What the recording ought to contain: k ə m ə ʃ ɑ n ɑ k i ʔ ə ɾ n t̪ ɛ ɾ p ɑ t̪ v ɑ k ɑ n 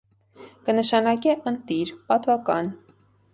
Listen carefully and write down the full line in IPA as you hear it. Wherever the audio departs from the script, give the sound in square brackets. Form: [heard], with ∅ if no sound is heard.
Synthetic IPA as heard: k ə [n] ə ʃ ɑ n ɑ k [ɛ] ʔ ə [∅] n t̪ [i] ɾ p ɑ t̪ v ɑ k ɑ n